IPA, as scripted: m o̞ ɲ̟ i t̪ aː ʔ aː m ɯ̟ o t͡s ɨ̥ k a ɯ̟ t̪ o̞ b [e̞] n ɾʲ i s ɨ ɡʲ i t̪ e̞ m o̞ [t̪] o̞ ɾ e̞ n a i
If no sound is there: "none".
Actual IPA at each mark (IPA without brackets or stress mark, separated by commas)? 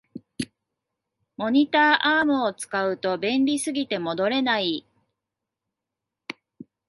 ẽ̞, d̪